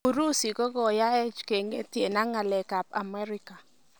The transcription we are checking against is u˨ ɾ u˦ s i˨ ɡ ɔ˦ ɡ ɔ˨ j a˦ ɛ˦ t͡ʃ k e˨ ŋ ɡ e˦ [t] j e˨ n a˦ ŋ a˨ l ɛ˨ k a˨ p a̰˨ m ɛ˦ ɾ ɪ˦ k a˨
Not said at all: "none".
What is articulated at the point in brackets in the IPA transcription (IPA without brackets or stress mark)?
t